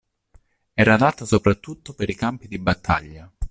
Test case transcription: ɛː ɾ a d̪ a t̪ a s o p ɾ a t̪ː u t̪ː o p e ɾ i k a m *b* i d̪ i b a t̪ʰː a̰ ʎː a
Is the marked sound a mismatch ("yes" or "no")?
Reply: yes